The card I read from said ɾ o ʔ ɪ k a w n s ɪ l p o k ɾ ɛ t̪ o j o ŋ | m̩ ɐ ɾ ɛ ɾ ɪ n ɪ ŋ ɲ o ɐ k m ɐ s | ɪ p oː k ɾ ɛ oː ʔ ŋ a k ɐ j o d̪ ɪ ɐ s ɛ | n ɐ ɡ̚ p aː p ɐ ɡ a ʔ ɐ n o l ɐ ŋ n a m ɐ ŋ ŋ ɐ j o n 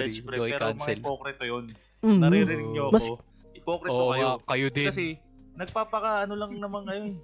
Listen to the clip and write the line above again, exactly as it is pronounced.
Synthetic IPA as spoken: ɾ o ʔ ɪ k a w n s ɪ l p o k ɾ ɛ t̪ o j o n | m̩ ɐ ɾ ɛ ɾ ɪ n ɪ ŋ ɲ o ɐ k m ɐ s | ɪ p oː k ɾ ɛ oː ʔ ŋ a k ɐ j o d̪ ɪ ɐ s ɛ | n ɐ ɡ̚ p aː p ɐ k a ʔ ɐ n o l ɐ ŋ n ɐ m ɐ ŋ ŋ ɐ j o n